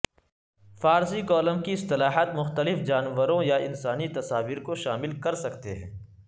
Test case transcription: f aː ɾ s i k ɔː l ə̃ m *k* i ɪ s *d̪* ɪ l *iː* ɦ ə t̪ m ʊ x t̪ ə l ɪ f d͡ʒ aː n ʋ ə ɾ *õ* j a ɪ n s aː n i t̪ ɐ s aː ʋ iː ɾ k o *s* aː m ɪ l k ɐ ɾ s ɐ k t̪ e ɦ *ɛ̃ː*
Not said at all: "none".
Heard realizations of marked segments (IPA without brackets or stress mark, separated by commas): k, t̪, aː, õ, ʃ, ɛ̃ː